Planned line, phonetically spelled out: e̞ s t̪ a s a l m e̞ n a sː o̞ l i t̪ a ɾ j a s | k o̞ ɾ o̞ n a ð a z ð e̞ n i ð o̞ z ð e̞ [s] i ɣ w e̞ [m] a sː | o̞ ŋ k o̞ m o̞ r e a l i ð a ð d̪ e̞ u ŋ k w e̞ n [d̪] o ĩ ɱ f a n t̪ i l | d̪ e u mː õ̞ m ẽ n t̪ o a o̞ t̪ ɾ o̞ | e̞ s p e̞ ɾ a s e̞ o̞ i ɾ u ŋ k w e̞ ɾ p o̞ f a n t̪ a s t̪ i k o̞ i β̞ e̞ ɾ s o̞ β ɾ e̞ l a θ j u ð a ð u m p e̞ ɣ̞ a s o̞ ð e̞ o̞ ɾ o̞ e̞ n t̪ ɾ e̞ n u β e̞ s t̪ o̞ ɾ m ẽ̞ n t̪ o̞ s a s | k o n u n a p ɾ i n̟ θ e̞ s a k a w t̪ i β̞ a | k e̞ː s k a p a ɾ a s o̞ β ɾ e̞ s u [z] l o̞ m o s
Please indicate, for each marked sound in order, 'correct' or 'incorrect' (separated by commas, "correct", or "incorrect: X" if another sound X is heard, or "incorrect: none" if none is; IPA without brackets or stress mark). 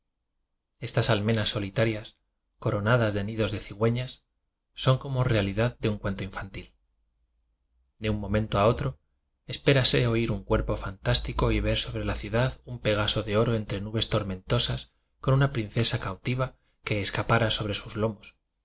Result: incorrect: θ, incorrect: ɲ, incorrect: t̪, correct